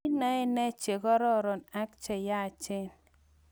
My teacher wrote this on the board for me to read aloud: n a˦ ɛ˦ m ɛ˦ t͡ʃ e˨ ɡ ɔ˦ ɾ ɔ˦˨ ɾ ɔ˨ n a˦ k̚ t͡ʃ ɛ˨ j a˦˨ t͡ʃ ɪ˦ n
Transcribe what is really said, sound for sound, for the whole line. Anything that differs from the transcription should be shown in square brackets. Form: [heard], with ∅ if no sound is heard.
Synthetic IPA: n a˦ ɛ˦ [n] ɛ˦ t͡ʃ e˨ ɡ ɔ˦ ɾ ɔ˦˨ ɾ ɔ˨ n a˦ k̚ t͡ʃ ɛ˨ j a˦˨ t͡ʃ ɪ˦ n